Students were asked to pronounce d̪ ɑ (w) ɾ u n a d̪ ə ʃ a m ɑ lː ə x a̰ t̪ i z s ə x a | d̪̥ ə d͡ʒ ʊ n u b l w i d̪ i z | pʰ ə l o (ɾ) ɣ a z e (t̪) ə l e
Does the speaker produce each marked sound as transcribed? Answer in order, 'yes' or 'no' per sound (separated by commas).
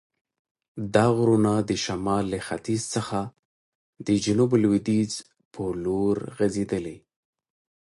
no, yes, no